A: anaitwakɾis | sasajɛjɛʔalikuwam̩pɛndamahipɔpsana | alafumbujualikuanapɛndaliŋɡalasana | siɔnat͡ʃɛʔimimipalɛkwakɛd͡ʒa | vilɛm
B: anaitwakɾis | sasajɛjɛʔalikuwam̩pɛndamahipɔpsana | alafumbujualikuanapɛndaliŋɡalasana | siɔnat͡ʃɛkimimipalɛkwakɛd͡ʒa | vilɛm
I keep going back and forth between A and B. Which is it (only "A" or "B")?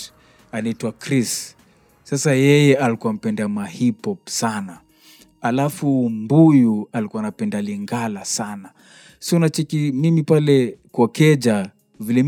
B